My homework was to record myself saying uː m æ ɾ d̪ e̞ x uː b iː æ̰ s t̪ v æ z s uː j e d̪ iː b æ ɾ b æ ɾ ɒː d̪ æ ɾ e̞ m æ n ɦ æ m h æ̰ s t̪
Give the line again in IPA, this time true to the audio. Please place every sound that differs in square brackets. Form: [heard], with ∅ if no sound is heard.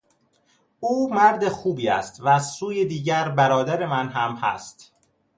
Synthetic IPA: uː m æ ɾ d̪ e̞ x uː b iː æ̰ s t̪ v æ z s uː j e d̪ iː [ɟ] æ ɾ b æ ɾ ɒː d̪ æ ɾ e̞ m æ n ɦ æ m h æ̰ s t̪